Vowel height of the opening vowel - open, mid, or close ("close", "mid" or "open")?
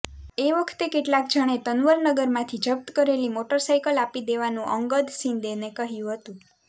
mid